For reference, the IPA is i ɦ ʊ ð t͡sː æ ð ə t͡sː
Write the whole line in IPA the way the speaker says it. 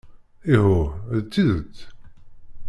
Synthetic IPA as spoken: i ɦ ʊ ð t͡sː i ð ə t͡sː